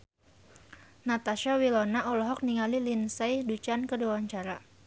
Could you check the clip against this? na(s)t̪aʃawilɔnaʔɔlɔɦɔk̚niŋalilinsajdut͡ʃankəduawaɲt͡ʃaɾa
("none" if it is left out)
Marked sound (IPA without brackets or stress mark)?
none